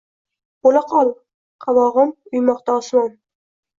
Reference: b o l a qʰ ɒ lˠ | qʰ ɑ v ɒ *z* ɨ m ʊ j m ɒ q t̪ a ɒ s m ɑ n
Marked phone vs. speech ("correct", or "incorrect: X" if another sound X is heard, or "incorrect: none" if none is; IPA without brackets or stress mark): incorrect: ʁ